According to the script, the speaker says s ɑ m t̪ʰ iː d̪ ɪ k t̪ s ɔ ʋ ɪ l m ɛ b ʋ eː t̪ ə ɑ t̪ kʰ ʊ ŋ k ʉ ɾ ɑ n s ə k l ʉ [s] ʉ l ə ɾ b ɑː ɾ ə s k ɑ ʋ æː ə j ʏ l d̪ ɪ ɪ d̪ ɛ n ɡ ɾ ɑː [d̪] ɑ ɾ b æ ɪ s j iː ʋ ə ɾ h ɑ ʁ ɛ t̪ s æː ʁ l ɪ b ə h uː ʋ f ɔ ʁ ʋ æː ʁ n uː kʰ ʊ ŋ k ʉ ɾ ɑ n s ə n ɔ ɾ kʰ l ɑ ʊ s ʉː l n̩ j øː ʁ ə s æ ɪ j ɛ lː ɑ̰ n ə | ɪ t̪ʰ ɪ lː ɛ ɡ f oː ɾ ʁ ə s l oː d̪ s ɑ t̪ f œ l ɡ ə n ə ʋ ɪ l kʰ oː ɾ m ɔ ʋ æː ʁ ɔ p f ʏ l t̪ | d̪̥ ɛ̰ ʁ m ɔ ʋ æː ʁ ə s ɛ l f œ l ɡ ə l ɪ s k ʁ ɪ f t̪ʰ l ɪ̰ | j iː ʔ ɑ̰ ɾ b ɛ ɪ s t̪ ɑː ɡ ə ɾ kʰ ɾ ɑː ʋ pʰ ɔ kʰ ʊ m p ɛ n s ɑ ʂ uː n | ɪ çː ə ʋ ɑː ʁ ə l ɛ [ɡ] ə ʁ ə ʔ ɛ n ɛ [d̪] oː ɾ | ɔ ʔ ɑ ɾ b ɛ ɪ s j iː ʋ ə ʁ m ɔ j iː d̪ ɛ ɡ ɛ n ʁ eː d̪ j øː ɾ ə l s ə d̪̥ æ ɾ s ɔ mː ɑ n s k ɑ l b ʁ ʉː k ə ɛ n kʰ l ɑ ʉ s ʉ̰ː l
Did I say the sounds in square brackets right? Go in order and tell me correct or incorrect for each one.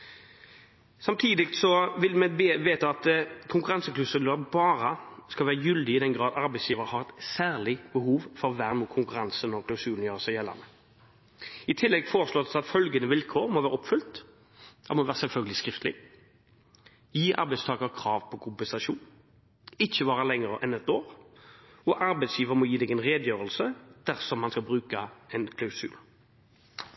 correct, correct, incorrect: ŋ, incorrect: t̪

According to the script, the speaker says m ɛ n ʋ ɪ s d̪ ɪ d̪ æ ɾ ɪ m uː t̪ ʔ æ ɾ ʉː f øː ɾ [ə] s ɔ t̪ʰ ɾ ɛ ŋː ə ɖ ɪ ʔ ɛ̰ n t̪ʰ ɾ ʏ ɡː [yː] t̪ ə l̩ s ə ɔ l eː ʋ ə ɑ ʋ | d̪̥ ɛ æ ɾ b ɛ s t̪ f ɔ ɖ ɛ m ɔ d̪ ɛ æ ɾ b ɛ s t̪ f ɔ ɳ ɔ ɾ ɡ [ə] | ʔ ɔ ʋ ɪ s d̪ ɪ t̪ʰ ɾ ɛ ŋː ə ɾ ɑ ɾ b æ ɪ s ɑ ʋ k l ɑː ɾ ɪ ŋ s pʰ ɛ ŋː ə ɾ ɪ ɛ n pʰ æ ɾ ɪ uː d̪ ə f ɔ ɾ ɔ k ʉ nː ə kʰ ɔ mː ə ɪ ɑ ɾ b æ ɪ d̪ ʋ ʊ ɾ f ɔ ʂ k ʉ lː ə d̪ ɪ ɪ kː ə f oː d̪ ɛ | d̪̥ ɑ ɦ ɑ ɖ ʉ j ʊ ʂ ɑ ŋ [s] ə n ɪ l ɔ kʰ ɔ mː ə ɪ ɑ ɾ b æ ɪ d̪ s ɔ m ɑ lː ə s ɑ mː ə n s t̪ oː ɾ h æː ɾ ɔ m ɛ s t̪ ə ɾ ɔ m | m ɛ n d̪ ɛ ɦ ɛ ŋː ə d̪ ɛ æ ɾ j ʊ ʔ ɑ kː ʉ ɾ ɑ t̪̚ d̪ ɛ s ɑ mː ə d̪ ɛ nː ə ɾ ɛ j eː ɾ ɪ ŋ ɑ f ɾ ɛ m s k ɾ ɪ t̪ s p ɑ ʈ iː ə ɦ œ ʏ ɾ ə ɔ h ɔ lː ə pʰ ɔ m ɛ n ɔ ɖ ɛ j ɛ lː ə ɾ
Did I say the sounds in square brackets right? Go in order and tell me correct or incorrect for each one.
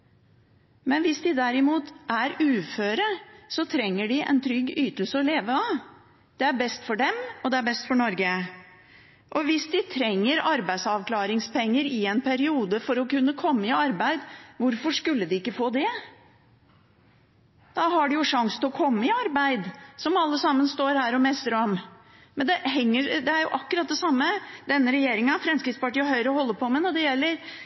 correct, correct, correct, correct

